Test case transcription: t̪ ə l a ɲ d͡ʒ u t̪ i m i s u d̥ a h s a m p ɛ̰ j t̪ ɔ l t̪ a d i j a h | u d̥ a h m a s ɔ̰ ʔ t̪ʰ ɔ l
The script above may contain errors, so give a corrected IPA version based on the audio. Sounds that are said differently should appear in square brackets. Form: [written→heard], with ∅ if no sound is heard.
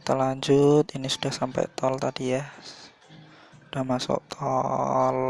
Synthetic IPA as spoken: t̪ ə l a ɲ d͡ʒ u t̪ i [m→n] i s u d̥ a h s a m p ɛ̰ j t̪ ɔ l t̪ a d i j a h | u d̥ a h m a s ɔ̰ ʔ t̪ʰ ɔ l